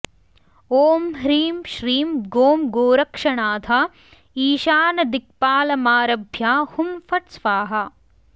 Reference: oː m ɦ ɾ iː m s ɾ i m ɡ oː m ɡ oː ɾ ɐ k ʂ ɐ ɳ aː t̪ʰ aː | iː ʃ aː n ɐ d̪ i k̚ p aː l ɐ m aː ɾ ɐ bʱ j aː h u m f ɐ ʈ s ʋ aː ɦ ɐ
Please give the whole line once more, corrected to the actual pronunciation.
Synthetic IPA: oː m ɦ ɾ iː m ʃ ɾ iː m ɡ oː m ɡ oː ɾ ɐ k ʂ ɐ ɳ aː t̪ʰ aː | iː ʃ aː n ɐ d̪ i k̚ p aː l ɐ m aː ɾ ɐ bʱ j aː h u m f ɐ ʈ s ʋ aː ɦ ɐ

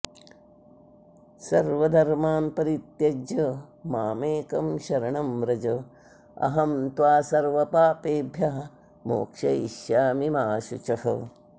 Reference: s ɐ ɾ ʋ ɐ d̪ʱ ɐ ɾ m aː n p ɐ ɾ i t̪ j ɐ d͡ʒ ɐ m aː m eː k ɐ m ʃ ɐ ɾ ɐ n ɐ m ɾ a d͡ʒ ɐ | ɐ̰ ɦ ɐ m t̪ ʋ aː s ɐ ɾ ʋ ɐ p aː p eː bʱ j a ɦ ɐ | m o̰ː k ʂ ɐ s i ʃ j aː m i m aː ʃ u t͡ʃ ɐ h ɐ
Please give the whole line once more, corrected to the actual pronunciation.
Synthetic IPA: s ɐ ɾ ʋ ɐ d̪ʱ ɐ ɾ m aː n p ɐ ɾ i t̪ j ɐ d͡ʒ ɐ m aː m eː k ɐ m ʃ ɐ ɾ ɐ ɳ ɐ m ɾ ɐ d͡ʒ ɐ | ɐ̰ ɦ ɐ m t̪ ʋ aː s ɐ ɾ ʋ ɐ p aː p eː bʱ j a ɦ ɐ | m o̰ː k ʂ ɐ i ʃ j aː m i m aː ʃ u t͡ʃ ɐ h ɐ

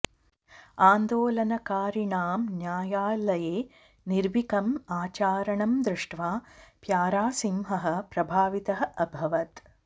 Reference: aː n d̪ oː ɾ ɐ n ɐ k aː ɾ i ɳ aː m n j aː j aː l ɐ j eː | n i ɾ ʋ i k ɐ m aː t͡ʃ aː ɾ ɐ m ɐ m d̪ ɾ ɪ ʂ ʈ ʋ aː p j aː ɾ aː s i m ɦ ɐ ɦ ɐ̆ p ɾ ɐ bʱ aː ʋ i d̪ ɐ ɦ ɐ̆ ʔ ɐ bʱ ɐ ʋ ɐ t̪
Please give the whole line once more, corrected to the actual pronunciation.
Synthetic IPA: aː n d̪ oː l ɐ n ɐ k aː ɾ i ɳ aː m n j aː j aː l ɐ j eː | n i ɾ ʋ i k ɐ m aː t͡ʃ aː ɾ ɐ ɳ ɐ m d̪ ɾ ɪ ʂ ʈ ʋ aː p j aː ɾ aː s i m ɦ ɐ ɦ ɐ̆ p ɾ ɐ bʱ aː ʋ i t̪ ɐ ɦ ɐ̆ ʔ ɐ bʱ ɐ ʋ ɐ t̪

